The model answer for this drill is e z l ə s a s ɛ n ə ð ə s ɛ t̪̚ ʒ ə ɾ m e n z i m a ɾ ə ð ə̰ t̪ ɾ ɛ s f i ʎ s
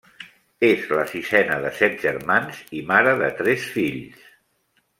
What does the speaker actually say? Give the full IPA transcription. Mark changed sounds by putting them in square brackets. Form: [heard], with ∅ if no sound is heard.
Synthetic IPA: e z l ə s [i] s ɛ n ə ð ə s ɛ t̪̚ ʒ ə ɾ m [a] n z i m a ɾ ə ð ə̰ t̪ ɾ ɛ s f i ʎ s